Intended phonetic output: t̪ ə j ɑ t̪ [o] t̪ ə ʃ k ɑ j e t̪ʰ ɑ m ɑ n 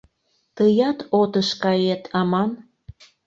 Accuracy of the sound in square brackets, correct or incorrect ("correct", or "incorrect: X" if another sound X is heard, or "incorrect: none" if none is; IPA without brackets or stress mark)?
correct